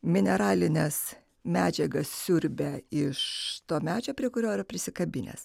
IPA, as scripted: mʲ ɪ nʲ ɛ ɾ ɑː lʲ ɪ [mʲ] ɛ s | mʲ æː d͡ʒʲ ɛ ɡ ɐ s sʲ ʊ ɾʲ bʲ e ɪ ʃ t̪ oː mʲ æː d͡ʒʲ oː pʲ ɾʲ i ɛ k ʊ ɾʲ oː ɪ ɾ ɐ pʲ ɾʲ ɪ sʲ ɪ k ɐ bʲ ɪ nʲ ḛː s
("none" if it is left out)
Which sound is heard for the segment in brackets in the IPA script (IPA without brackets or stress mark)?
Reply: nʲ